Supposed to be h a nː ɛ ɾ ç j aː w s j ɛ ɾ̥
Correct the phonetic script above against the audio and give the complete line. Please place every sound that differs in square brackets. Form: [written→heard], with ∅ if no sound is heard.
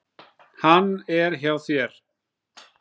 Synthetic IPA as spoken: h a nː ɛ ɾ ç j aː w [s→θ] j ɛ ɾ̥